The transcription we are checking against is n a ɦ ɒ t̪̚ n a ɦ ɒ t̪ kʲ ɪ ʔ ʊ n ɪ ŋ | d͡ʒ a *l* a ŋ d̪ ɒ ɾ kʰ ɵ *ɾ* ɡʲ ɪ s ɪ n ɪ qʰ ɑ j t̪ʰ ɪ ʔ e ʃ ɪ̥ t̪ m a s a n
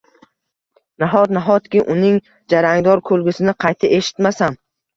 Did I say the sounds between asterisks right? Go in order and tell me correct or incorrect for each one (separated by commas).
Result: incorrect, incorrect